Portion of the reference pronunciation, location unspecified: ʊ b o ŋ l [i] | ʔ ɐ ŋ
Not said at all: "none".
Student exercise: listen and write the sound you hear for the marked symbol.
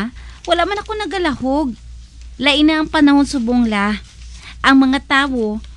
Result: a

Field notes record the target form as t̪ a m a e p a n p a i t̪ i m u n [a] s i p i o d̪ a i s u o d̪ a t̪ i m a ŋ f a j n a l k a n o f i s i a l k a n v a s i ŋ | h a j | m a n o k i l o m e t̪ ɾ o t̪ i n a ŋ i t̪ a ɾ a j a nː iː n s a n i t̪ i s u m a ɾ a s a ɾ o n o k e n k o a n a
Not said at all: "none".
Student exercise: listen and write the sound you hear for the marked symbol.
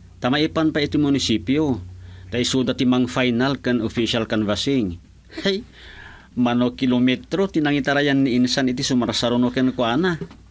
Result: i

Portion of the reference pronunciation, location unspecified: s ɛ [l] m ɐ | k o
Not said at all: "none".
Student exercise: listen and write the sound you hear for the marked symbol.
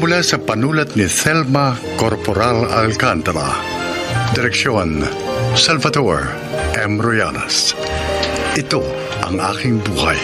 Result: l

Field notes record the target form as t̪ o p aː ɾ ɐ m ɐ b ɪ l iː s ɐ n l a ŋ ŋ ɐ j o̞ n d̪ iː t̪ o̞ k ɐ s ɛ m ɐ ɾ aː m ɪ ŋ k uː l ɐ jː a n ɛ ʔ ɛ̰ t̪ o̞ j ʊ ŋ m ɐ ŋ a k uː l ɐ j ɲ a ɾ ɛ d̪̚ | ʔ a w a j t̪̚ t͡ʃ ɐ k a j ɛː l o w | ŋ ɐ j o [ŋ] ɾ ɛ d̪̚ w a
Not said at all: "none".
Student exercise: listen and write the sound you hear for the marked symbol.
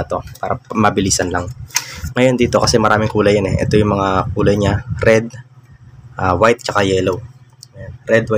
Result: n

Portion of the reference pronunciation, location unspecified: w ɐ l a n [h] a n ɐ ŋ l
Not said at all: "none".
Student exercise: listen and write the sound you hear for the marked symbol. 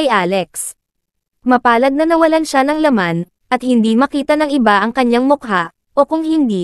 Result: ʃ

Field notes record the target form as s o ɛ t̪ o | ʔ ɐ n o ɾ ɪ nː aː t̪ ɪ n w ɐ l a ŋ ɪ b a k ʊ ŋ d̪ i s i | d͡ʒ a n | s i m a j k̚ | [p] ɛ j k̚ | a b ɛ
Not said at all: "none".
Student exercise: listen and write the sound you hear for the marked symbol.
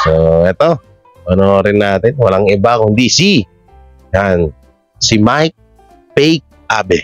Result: p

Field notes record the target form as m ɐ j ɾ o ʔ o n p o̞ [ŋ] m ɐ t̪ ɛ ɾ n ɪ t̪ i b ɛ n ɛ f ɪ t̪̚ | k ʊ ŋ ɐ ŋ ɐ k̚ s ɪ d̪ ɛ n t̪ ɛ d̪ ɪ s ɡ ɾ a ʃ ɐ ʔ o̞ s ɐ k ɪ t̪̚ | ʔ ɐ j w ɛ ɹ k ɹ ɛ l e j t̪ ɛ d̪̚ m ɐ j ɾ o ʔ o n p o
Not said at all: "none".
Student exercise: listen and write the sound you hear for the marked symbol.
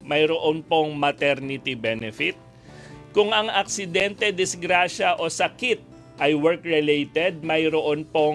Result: ŋ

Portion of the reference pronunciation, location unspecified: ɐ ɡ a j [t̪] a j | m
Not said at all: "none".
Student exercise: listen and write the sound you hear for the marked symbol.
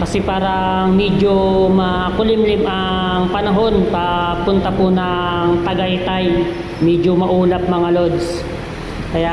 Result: t̪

